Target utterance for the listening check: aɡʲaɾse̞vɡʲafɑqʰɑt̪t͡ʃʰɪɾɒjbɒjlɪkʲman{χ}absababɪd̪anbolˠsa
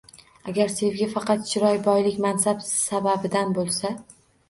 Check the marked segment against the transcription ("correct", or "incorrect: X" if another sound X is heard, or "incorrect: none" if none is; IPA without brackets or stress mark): incorrect: s